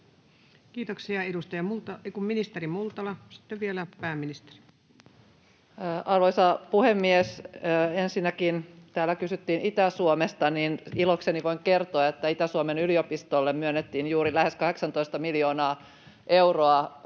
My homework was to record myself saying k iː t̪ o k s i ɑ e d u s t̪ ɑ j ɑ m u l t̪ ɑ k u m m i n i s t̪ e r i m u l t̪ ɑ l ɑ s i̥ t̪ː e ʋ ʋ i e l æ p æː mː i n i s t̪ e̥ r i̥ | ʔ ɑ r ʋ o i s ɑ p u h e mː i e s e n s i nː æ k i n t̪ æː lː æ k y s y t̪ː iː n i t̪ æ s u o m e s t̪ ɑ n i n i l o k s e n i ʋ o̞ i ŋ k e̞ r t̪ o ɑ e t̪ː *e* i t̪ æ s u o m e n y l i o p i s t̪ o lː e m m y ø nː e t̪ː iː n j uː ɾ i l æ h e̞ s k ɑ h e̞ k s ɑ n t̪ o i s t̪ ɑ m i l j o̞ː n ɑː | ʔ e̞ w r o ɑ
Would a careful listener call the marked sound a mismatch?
yes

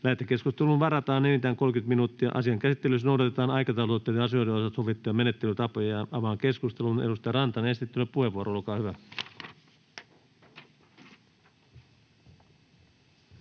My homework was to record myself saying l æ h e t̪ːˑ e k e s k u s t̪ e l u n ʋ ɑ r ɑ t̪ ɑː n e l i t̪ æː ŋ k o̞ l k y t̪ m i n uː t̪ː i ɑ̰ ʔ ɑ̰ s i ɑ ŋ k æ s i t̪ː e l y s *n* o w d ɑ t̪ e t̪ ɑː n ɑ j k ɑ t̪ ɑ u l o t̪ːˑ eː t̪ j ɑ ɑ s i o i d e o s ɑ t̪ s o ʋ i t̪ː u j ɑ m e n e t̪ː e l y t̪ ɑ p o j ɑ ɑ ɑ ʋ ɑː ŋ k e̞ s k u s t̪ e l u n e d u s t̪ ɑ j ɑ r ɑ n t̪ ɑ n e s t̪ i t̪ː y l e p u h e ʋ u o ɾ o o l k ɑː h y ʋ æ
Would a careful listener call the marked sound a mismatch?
no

